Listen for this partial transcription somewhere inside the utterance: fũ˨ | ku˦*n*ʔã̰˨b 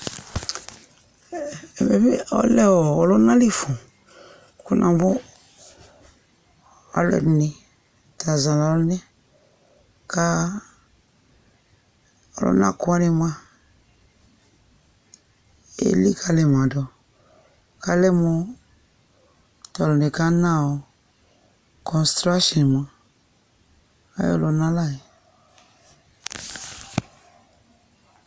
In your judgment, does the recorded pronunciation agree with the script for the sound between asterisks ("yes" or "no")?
yes